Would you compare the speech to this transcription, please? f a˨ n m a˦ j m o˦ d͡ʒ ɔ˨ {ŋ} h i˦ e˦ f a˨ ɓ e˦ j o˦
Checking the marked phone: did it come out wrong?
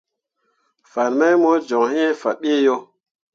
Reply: no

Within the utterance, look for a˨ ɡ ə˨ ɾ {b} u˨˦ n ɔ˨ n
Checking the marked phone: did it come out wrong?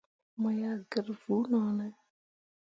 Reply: yes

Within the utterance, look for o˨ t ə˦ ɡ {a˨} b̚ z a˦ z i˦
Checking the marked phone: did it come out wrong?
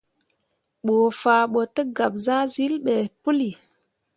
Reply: no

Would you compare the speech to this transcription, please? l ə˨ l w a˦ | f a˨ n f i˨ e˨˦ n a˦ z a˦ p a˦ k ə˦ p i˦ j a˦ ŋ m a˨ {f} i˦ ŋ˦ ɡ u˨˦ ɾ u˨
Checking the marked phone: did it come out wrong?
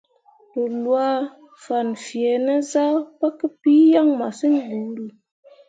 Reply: yes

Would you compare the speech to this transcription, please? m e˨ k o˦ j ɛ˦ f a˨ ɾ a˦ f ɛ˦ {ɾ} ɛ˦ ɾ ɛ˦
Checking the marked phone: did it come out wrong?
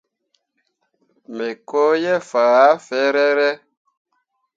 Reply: no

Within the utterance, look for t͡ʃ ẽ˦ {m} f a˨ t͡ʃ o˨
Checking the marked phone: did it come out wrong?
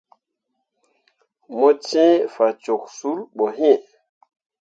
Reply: yes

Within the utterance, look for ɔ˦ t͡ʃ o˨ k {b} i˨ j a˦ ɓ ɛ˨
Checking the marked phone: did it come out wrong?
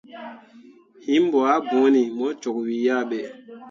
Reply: yes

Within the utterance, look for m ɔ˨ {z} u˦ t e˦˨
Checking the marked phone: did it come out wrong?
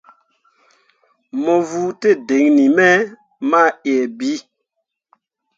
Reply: yes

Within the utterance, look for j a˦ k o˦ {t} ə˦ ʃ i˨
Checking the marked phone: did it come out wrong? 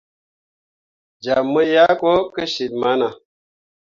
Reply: yes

